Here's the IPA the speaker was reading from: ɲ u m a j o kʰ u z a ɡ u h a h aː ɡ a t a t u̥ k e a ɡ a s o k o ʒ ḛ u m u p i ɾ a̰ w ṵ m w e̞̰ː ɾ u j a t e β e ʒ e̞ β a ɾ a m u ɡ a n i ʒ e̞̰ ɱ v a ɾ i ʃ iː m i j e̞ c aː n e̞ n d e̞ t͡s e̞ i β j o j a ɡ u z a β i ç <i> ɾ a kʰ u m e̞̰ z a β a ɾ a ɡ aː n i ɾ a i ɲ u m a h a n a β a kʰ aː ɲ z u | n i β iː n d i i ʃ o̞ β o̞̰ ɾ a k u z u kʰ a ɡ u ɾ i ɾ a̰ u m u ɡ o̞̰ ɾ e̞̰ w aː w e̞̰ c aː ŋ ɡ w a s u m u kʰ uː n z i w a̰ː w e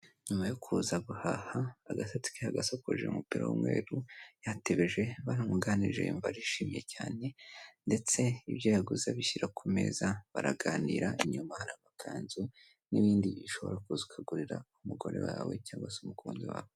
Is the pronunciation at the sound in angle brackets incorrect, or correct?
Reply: correct